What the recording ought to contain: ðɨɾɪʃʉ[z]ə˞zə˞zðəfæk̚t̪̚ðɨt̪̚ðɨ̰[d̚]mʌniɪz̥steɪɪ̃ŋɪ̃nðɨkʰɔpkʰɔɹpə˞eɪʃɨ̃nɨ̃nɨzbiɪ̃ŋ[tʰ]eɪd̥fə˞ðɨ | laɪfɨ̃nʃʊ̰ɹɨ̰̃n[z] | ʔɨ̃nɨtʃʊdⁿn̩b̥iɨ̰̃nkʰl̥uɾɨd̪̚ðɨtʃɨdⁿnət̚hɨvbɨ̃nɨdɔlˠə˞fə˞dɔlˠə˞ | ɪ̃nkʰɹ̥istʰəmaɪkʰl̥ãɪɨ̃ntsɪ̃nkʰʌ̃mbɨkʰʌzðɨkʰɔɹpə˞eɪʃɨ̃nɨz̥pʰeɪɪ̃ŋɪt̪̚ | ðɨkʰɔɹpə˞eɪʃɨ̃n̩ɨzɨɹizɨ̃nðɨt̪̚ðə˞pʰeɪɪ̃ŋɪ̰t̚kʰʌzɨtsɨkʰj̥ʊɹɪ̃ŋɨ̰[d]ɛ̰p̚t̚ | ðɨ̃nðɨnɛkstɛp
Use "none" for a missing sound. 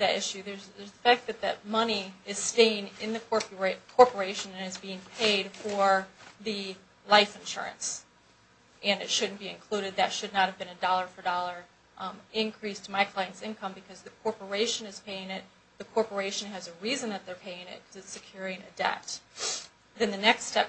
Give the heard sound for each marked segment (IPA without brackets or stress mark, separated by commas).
ð, t̚, pʰ, s, d